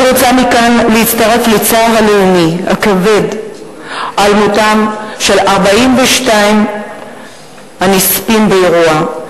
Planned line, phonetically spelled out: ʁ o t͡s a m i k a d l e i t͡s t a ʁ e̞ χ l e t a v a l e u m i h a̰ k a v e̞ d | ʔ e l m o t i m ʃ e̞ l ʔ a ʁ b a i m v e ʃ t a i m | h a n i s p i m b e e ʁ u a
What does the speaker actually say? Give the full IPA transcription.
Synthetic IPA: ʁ o t͡s a m i k a n l e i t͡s t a ʁ e̞ f l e t͡s a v a l e u m i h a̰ k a v e̞ d | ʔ a l m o t a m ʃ e̞ l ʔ a ʁ b a i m v e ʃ t a i m | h a n i s p i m b e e ʁ u a